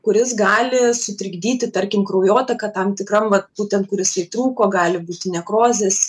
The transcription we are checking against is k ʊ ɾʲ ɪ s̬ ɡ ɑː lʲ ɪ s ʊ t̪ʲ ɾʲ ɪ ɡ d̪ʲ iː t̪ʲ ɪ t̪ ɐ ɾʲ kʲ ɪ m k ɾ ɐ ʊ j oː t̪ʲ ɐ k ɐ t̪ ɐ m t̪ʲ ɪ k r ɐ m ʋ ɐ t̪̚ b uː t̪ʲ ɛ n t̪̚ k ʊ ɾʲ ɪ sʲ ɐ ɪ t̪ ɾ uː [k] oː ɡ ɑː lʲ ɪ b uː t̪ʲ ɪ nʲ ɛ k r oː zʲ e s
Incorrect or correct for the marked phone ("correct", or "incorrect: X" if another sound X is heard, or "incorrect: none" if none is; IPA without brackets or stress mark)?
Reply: correct